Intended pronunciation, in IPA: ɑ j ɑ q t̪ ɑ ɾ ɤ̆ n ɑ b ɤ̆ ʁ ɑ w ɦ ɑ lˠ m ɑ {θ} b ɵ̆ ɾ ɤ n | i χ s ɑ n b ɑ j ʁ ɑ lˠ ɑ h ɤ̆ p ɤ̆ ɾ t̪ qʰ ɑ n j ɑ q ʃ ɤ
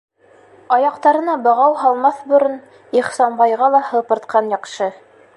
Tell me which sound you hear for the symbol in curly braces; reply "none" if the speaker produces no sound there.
θ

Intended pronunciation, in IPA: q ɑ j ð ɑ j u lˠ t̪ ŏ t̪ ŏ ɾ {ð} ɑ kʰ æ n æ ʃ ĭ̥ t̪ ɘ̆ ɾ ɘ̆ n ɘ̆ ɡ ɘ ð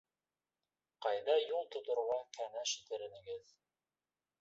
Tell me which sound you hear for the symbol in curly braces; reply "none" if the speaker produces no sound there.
ʁ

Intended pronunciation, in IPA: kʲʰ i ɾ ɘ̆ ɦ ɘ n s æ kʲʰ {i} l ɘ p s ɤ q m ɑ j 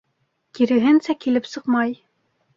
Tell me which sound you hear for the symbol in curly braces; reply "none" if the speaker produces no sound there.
i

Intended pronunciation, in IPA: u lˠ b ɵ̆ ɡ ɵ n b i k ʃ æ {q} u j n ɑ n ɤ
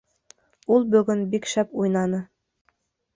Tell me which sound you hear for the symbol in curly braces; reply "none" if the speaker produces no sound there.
p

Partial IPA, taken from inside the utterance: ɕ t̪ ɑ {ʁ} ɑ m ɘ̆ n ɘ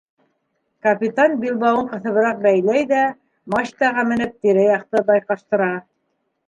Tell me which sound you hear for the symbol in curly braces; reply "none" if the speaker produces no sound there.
ʁ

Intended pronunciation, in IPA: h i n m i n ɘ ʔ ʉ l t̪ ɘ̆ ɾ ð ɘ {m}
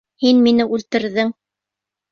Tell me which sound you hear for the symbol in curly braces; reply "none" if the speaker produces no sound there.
ŋ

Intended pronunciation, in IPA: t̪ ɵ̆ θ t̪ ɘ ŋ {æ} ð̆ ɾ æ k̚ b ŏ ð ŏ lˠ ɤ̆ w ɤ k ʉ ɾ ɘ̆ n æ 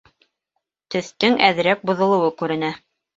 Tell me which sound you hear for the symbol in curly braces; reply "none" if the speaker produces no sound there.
æ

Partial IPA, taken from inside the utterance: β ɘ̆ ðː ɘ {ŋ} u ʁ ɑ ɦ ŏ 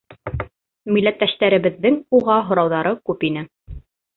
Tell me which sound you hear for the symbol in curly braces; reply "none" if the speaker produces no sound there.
ŋ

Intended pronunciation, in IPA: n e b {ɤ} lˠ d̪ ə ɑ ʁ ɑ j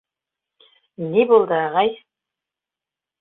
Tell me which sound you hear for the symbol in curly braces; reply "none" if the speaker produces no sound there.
o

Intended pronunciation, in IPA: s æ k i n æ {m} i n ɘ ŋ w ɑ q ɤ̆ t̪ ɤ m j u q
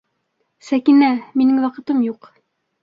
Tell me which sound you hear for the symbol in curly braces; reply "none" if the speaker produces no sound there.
m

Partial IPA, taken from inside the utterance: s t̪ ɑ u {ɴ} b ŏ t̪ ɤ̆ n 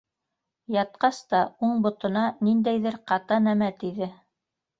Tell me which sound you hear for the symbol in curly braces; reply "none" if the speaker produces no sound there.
ɴ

